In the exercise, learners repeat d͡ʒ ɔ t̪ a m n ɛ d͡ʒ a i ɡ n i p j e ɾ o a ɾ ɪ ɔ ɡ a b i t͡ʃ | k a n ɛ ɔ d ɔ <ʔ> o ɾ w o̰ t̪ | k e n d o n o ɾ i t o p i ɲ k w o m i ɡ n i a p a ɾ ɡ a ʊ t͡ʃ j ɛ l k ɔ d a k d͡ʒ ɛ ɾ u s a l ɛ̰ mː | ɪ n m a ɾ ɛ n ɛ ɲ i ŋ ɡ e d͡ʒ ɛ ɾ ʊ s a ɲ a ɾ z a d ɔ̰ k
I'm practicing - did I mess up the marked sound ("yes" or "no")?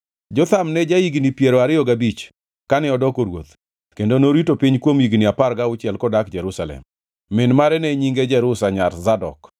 yes